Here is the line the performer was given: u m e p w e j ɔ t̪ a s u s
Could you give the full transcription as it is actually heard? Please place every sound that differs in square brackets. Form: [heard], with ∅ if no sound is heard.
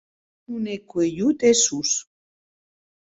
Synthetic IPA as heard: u [n] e [k] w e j [u] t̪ [e] s u s